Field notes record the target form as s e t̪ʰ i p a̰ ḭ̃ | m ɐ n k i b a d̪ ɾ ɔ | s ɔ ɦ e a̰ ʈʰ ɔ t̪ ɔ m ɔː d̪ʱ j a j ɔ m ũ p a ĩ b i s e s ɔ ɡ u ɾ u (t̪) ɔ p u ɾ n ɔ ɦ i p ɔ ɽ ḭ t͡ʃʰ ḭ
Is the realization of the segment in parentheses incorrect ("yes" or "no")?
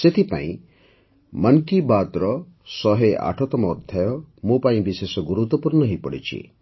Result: no